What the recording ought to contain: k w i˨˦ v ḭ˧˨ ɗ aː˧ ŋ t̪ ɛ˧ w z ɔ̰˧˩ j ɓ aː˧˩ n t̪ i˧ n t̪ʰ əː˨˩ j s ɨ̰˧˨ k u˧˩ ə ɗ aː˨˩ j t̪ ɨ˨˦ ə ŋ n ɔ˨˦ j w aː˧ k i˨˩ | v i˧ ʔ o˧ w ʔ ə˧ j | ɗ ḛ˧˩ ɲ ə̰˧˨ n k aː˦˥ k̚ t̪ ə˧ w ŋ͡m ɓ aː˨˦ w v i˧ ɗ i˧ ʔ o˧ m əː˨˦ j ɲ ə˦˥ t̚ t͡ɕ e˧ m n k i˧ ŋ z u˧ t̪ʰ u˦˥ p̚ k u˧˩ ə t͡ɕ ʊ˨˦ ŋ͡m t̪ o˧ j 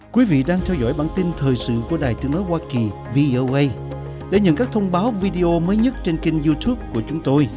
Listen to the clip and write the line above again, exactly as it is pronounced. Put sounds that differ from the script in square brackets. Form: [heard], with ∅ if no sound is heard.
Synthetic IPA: k w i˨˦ v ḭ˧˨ ɗ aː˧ ŋ [t̪ʰ] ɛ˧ w z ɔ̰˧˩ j ɓ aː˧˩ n t̪ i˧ n t̪ʰ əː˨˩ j s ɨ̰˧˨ k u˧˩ ə ɗ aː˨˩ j t̪ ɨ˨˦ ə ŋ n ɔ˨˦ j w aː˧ k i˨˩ | v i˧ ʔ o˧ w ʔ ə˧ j | ɗ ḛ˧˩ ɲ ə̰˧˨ n k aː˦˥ k̚ [t̪ʰ] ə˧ w ŋ͡m ɓ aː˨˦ w v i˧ ɗ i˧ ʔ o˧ m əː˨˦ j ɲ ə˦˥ t̚ t͡ɕ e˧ [∅] n k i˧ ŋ z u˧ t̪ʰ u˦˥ p̚ k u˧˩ ə t͡ɕ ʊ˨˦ ŋ͡m t̪ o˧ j